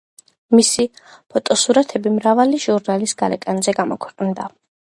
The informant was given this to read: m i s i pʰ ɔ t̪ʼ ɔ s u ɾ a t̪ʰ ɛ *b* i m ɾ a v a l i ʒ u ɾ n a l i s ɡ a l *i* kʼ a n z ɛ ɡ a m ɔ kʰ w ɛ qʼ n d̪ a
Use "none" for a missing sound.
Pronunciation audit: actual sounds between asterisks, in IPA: b, ɛ

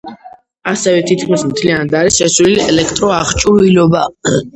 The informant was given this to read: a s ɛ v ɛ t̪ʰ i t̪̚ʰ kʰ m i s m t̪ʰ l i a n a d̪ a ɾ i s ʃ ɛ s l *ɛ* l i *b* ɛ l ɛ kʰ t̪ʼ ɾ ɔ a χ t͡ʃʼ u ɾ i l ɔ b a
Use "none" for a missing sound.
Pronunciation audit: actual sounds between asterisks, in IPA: i, none

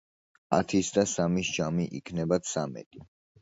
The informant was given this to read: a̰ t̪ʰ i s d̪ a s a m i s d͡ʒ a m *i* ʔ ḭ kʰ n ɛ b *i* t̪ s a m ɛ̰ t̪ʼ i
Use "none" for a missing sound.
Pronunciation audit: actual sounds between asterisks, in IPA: i, a

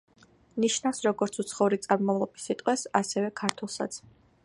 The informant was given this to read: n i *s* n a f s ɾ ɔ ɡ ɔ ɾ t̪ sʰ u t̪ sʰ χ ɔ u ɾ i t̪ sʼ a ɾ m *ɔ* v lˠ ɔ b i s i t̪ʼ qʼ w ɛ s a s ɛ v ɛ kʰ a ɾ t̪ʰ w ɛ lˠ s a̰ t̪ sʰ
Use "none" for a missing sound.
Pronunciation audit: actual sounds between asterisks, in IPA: ʃ, ɔ

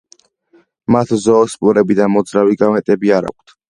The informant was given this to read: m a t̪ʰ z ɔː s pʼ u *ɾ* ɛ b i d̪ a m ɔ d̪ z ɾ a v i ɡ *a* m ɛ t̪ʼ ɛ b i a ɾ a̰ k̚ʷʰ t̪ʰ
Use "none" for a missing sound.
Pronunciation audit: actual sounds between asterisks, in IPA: ɾ, a

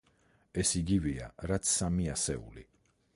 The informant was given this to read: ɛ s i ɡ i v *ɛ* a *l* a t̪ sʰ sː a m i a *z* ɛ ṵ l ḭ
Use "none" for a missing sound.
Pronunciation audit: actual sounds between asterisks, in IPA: i, ɾ, s

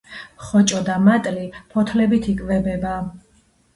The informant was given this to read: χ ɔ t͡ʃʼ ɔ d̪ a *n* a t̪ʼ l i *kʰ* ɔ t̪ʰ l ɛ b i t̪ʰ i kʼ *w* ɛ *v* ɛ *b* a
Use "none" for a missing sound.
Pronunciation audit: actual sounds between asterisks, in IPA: m, pʰ, v, b, b

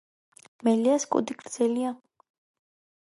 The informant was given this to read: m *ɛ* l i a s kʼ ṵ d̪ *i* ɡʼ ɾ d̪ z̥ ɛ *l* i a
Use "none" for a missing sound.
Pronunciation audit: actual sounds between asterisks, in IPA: ɛ, i, l

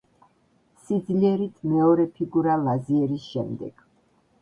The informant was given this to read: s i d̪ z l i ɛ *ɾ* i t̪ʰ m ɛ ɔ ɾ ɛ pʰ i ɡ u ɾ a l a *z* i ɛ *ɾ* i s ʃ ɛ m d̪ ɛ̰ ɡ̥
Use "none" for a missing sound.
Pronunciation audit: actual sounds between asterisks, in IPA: ɾ, z, ɾ

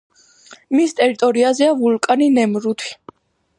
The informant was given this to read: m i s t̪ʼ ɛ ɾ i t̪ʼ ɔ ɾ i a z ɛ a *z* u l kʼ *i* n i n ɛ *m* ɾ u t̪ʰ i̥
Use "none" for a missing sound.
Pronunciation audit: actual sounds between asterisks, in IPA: v, a, m

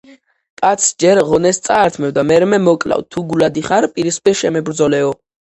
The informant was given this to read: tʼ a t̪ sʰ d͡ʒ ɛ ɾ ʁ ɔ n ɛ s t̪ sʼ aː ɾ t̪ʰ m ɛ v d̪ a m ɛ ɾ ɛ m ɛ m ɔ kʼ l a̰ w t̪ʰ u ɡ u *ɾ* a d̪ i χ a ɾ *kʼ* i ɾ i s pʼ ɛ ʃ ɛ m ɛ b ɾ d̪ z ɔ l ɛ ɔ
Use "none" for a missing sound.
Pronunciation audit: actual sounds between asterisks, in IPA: l, pʼ

